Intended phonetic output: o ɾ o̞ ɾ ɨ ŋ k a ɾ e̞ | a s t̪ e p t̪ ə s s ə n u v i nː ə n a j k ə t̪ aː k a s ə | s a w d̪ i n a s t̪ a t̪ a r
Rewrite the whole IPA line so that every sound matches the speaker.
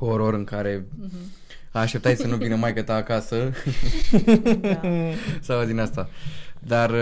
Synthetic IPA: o ɾ o̞ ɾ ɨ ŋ k a ɾ e̞ | a ʃ t̪ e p t̪ a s s ə n u v i n ə m a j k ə t̪ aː k a s ə | s a w d̪ i n a s t̪ a d̪ a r